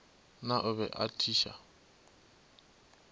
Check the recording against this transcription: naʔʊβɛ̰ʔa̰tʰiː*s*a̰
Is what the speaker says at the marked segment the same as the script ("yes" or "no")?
no